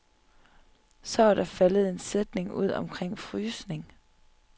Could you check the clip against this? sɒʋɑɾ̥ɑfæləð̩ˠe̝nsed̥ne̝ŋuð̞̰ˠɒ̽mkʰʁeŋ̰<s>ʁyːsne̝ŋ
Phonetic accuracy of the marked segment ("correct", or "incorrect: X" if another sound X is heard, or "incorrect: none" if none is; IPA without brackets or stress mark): incorrect: f